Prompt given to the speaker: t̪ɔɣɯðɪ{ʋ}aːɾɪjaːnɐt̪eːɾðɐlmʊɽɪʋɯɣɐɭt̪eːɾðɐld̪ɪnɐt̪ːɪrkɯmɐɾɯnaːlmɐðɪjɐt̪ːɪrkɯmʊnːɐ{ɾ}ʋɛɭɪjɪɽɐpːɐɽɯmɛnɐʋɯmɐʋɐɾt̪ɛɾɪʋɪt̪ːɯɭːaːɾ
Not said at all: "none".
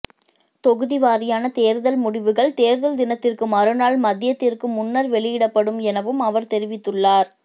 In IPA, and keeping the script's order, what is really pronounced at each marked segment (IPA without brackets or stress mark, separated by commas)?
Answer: ʋ, ɾ